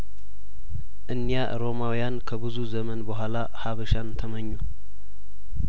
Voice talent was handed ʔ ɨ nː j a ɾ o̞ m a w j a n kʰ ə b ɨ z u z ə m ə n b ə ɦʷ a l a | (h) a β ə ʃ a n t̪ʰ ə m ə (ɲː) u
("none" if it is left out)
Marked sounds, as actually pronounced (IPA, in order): h, ɲː

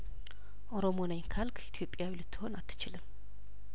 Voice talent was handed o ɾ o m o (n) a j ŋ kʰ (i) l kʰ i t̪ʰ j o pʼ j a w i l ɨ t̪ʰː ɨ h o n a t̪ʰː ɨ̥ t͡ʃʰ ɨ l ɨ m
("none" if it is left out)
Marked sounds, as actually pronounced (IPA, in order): n, a

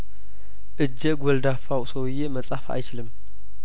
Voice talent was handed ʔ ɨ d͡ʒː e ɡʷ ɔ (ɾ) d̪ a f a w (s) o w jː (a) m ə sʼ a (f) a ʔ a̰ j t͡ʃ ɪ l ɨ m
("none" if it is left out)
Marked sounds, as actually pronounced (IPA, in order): l, s, e, f

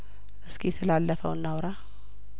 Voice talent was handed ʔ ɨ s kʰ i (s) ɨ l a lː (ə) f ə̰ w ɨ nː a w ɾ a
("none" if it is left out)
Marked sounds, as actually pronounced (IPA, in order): s, ə

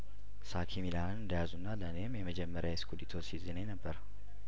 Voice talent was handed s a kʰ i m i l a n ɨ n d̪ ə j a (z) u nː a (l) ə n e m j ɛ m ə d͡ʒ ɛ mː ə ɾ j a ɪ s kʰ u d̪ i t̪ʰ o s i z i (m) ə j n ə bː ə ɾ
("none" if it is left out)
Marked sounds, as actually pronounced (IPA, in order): z, l, n

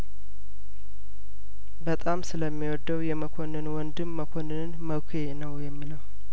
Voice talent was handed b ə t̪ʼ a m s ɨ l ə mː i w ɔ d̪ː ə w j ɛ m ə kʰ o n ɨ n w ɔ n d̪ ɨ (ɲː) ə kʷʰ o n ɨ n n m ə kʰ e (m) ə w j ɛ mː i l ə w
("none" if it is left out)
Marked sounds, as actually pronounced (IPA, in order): mː, n

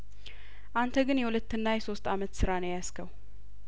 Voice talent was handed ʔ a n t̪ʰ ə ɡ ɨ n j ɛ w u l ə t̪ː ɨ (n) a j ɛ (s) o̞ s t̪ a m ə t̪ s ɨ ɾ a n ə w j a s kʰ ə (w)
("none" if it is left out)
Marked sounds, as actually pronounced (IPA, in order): nː, s, w

